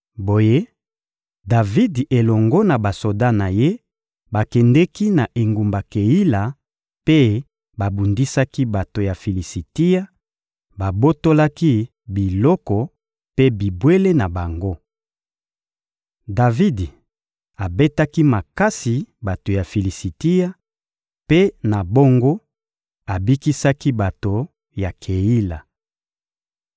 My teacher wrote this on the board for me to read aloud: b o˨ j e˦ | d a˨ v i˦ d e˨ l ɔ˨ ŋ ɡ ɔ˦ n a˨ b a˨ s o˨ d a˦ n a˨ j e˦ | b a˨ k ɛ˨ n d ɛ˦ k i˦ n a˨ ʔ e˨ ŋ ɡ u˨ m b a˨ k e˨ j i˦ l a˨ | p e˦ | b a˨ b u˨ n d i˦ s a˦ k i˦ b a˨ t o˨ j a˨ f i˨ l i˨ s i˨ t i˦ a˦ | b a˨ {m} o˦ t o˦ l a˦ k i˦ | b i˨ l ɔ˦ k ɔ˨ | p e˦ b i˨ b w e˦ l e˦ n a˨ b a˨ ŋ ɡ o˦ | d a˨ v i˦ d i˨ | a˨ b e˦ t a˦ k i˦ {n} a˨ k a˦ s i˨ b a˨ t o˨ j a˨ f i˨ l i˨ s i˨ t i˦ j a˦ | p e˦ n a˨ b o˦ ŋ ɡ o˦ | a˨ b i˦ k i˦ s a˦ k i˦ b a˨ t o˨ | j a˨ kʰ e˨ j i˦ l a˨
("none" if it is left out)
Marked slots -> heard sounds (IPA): b, m

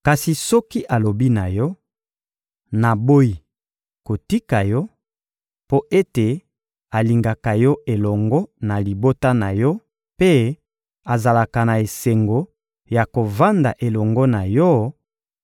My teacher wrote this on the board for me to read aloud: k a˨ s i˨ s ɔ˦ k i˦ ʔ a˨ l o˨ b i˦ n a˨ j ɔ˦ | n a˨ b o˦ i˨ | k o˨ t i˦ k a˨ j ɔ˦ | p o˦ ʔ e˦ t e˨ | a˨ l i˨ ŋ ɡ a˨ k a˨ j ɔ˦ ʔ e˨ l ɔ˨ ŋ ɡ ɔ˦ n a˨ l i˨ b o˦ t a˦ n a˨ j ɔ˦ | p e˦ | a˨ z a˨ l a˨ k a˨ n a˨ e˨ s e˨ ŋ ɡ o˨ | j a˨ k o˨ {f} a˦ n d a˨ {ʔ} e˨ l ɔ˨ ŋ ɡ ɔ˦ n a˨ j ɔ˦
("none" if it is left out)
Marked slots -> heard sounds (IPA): v, ʔ

